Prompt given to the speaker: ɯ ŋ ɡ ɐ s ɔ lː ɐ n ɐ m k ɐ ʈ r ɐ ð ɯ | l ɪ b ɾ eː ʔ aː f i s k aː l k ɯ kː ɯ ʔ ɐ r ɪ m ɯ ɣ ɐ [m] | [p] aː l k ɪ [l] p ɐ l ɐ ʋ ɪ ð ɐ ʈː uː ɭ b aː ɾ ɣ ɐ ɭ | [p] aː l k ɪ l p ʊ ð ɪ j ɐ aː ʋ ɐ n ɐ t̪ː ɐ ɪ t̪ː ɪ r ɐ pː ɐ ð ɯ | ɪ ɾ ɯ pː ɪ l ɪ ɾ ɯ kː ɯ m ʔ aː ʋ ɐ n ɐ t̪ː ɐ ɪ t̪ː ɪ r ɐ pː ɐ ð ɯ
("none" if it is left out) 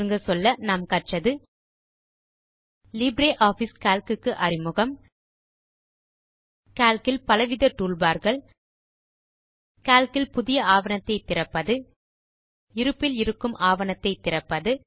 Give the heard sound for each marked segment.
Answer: m, k, l, k

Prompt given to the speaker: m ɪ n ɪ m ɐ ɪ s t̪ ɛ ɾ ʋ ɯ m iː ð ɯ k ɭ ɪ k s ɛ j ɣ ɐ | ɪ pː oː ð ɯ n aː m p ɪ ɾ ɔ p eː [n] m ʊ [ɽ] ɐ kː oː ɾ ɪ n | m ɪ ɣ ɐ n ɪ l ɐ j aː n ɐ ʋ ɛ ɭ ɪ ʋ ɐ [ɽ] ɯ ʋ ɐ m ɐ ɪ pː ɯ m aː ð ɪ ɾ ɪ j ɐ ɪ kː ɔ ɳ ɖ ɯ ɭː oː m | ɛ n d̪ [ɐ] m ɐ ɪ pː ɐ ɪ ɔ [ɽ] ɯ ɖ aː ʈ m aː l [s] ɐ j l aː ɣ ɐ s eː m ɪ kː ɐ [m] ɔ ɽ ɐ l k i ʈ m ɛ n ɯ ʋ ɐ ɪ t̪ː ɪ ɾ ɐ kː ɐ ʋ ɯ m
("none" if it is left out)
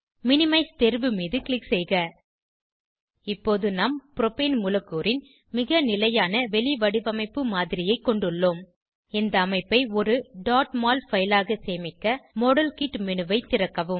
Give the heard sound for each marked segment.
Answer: n, l, ɽ, ɐː, ɾ, f, m

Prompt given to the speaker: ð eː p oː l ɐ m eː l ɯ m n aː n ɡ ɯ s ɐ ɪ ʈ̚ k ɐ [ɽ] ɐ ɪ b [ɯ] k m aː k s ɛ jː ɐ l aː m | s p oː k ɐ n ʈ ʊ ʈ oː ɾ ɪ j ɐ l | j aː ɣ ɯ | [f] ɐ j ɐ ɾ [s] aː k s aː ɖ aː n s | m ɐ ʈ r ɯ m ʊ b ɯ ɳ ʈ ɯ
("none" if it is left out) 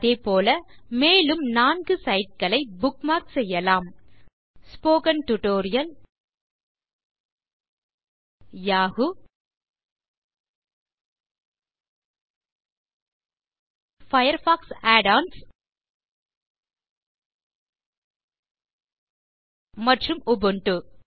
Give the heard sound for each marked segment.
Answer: ɭ, ʊ, f, f

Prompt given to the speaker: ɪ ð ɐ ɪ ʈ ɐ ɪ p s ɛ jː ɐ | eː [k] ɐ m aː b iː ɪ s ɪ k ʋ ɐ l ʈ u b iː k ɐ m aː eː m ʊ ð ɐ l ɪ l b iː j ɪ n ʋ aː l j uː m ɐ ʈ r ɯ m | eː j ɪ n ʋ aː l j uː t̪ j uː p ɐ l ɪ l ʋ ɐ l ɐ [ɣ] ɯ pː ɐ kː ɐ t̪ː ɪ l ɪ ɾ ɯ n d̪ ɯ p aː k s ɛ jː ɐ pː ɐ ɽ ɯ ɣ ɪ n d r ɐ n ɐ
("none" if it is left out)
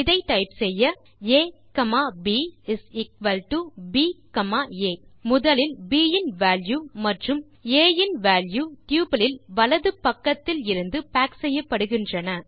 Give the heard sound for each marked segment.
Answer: k, ð

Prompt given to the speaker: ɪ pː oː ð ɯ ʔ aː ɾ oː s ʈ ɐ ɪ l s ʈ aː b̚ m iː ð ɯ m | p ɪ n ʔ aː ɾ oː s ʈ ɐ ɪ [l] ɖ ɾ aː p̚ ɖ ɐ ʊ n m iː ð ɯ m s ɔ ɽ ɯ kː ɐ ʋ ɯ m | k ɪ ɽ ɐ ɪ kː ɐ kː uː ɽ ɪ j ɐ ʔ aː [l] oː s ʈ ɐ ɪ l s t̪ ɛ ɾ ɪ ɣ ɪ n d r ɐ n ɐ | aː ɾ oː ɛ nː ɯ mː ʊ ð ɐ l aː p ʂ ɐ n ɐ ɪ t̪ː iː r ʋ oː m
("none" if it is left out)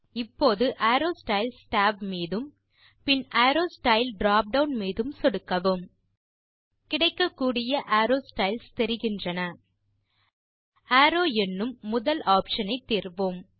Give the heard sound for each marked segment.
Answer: l, ɾ

